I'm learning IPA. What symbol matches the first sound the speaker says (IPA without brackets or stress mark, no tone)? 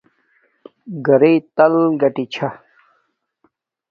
ɡ